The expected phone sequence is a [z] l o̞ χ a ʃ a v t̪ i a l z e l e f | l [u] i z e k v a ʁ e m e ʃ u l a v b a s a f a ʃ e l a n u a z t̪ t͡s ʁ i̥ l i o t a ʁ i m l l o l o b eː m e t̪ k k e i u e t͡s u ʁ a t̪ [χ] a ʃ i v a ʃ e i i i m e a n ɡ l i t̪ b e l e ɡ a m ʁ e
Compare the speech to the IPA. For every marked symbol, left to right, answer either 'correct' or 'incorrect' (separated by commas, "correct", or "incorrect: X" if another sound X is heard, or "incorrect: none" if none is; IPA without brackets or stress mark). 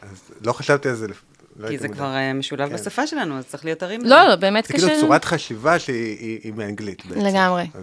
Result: correct, incorrect: o, correct